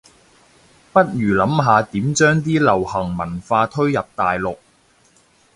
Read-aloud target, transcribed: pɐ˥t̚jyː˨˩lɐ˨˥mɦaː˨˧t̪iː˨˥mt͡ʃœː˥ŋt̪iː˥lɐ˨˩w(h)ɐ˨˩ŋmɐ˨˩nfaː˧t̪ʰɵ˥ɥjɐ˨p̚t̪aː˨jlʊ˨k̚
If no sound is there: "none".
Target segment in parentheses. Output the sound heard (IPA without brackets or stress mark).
h